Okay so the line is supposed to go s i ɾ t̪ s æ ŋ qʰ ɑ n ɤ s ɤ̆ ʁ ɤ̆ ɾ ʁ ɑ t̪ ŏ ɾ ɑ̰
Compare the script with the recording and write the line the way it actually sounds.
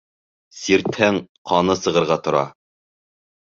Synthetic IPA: s i ɾ t̪ h æ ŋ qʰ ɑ n ɤ s ɤ̆ ʁ ɤ̆ ɾ ʁ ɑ t̪ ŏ ɾ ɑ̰